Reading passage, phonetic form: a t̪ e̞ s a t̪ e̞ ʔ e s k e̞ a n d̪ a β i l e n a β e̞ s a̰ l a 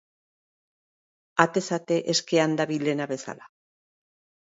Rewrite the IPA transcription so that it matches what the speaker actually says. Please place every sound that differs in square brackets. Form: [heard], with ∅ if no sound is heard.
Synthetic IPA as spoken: a t̪ e̞ s a t̪ e̞ ʔ e s k e̞ a n d̪ a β i l e n a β e̞ s a̰ l a